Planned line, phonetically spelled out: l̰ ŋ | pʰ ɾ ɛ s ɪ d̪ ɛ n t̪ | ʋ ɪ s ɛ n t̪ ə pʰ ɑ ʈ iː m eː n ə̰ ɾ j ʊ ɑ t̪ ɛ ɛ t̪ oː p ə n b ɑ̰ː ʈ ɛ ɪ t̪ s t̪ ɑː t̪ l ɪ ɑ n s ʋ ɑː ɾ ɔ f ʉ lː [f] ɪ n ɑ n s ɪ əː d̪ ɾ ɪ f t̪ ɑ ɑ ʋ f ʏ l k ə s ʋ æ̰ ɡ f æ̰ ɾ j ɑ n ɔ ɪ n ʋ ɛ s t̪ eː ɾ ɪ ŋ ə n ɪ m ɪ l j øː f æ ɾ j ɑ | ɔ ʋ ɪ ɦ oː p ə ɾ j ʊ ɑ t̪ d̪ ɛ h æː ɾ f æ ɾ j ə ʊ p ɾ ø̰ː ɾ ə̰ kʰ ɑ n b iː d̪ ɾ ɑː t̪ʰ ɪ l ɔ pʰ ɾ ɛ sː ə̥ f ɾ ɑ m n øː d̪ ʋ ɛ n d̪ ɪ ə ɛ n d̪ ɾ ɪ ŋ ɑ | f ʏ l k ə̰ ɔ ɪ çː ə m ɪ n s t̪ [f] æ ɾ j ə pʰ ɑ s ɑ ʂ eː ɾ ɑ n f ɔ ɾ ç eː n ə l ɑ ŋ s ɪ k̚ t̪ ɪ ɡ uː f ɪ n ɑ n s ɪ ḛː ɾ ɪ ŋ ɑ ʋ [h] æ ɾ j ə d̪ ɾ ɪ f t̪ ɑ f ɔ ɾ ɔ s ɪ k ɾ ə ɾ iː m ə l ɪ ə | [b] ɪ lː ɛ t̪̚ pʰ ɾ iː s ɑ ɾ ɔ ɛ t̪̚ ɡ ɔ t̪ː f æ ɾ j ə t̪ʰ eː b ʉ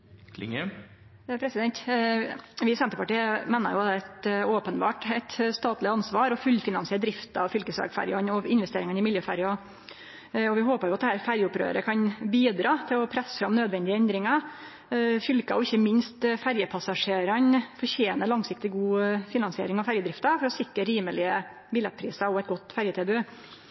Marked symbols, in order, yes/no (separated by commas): yes, yes, no, yes